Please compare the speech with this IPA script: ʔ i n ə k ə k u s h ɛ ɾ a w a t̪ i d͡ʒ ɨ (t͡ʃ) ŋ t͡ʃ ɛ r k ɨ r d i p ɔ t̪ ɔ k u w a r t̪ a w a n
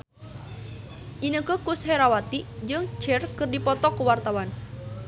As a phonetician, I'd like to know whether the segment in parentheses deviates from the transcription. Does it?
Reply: yes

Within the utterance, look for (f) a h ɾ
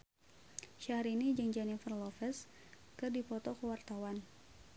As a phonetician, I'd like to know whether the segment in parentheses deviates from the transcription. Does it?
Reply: yes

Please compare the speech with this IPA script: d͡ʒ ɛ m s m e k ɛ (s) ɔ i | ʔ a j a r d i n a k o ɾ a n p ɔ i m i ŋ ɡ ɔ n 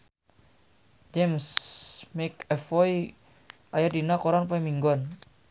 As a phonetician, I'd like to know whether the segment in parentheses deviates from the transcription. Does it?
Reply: yes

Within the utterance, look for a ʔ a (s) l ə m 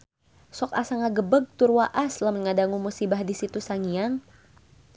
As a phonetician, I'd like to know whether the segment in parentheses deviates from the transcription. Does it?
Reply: no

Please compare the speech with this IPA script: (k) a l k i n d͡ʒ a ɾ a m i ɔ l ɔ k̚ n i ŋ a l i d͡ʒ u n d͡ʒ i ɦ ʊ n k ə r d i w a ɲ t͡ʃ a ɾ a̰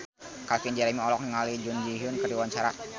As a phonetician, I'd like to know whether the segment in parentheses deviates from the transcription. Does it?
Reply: no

